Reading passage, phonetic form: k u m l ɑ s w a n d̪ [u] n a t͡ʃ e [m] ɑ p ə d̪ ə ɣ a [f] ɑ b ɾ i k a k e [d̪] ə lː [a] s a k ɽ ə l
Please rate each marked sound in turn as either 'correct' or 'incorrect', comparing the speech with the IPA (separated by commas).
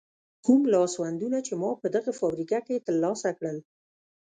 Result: correct, correct, correct, incorrect, incorrect